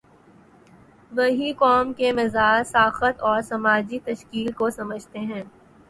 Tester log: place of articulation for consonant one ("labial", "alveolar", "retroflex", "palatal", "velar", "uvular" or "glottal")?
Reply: labial